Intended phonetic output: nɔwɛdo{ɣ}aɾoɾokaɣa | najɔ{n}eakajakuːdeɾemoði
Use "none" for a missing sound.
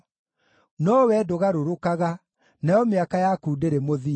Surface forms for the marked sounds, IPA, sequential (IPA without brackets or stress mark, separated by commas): ɣ, m